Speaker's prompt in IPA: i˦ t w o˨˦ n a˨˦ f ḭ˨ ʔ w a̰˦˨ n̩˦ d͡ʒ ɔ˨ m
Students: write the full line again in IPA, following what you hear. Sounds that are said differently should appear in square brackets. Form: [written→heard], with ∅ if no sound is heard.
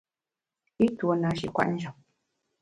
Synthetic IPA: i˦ t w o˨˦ n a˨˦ [f→ʃ] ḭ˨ [ʔ→k] w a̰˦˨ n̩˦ d͡ʒ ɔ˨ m

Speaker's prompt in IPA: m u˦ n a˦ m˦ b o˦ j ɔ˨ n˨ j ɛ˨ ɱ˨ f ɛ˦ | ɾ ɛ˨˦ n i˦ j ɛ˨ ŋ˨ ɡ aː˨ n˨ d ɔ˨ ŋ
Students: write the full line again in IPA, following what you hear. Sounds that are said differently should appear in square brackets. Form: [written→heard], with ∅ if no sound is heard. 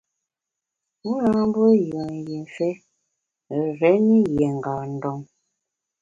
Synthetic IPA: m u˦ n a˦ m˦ b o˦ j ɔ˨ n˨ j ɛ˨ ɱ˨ f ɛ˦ | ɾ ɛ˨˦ n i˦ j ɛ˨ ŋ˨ ɡ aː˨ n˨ d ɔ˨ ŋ

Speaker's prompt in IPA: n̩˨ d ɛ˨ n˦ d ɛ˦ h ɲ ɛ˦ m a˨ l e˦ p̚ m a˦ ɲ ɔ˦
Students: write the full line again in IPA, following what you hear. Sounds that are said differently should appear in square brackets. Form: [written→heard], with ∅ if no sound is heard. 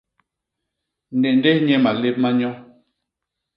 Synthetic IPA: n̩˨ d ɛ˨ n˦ d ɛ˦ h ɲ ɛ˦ m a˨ l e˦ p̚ m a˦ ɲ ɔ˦

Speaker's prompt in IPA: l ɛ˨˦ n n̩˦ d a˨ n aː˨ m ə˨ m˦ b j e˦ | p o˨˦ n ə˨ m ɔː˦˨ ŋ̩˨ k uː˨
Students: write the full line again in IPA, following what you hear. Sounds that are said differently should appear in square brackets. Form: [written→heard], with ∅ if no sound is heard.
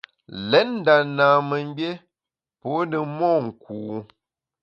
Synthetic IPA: l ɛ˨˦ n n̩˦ d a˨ n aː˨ m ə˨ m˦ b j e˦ | p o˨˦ n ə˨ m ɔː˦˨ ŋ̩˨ k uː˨

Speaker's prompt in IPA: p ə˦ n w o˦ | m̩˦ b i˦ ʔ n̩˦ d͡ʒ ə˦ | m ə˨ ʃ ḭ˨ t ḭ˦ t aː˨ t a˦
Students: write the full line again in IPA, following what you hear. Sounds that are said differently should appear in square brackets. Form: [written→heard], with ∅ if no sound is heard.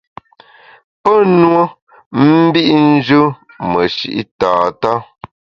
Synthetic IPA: p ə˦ n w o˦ | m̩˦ b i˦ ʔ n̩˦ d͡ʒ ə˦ | m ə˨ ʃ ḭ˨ [t→ʔ] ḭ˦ t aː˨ t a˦

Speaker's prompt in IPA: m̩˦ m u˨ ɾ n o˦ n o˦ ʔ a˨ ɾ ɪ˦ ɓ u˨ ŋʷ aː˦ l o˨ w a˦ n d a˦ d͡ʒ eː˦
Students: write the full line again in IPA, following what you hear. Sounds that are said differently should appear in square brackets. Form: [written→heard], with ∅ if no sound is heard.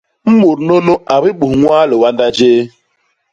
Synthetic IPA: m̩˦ m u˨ ɾ n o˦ n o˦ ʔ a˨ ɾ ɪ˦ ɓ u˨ ŋʷ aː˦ l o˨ w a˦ n d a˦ d͡ʒ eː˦

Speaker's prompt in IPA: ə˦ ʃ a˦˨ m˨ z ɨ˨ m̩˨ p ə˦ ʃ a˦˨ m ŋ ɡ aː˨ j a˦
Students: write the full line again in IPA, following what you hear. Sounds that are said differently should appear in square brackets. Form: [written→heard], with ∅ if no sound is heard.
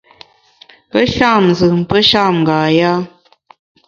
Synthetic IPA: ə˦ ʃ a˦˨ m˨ z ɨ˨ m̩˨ p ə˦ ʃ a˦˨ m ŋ ɡ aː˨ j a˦

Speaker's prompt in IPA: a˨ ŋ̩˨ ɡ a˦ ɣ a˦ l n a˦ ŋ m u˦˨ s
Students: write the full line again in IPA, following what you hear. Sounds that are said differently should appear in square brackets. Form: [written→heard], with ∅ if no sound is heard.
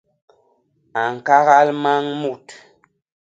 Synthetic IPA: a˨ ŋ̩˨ [ɡ→k] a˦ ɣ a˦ l [n→m] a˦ ŋ m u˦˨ [s→t]

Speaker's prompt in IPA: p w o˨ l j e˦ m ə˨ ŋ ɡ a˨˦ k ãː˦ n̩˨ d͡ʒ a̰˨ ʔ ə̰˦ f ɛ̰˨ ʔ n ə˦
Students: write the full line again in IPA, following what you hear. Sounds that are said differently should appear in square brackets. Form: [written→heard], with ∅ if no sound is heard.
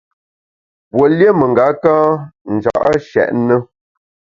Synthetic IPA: p w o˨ l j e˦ m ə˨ ŋ ɡ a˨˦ k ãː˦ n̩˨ d͡ʒ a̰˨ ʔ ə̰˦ [f→ʃ] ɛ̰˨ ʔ n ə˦

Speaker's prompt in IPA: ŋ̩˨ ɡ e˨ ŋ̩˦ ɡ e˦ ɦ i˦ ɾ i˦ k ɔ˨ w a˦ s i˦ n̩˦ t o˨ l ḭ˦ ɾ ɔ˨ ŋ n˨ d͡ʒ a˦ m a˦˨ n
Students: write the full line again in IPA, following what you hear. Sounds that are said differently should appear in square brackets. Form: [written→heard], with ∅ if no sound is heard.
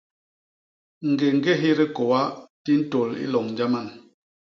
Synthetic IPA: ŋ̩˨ ɡ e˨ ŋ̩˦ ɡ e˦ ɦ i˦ ɾ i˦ k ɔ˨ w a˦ [s→t] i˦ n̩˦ t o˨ l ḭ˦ [ɾ→l] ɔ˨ ŋ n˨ d͡ʒ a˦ m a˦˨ n

